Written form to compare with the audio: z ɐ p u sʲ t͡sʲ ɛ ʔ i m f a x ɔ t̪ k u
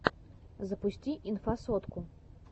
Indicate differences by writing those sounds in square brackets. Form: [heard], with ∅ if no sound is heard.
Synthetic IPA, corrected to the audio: z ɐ p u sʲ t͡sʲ [i] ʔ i [n] f a [s] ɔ t̪ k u